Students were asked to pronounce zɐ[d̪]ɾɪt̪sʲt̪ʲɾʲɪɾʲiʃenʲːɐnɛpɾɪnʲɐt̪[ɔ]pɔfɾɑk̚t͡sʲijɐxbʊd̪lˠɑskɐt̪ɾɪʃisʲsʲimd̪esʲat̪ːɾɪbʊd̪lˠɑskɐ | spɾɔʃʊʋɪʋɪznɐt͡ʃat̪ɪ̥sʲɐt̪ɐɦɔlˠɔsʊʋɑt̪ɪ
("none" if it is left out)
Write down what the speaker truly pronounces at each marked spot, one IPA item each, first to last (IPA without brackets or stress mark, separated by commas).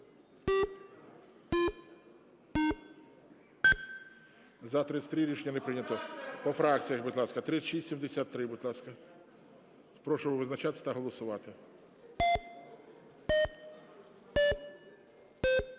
t̪, ɔ